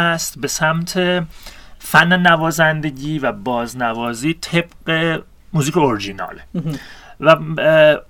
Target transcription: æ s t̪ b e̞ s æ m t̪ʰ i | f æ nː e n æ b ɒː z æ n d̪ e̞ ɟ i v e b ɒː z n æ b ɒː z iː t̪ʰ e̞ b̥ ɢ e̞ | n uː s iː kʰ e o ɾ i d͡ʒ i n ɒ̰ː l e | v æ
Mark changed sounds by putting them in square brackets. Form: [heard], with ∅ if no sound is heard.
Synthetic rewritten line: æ s t̪ b e̞ s æ m t̪ʰ [e] | f æ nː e n æ [v] ɒː z æ n d̪ e̞ ɟ [iː] v [æ] b ɒː z n æ [v] ɒː z iː t̪ʰ e̞ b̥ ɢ e̞ | [m] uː [z] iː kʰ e o ɾ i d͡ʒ i n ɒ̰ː l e | v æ